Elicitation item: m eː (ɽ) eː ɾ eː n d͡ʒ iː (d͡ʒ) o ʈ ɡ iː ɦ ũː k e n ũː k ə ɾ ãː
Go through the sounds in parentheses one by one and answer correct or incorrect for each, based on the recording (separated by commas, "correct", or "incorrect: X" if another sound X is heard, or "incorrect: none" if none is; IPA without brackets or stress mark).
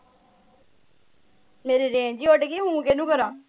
incorrect: ɾ, incorrect: none